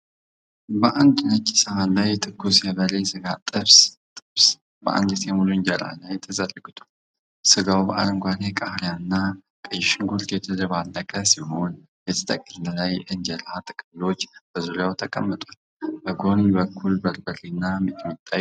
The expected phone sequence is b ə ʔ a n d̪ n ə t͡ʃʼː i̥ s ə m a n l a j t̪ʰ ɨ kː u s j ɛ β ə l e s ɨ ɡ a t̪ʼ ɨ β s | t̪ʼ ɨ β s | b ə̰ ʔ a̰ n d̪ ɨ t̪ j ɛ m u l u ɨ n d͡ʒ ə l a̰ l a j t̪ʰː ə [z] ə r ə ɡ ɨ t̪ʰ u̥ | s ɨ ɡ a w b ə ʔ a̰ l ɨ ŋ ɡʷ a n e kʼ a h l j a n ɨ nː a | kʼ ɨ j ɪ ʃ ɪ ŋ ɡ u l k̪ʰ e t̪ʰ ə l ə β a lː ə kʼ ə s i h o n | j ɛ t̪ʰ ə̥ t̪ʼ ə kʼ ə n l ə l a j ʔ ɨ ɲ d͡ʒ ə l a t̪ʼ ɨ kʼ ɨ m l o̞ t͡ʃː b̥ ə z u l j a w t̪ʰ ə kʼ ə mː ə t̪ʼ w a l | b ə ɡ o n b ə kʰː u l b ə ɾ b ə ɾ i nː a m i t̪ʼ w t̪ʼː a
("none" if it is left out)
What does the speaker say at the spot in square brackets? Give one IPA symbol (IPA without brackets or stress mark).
z